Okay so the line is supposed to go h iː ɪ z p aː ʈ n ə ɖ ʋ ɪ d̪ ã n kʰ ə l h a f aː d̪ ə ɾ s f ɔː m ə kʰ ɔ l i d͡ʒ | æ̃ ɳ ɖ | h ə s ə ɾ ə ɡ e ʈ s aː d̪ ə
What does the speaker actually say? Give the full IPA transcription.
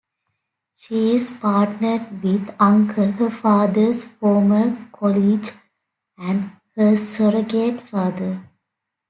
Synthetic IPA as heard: ʃ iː ɪ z p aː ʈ n ə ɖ ʋ ɪ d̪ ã ŋ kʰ ə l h ə f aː d̪ ə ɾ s f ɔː m ə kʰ ɔ l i d͡ʒ | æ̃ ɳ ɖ | h ə s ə ɾ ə ɡ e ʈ f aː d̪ ə